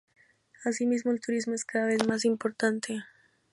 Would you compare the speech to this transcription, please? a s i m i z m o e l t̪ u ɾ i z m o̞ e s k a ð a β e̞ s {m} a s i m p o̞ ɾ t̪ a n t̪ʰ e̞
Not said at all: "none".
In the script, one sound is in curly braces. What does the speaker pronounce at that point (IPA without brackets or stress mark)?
m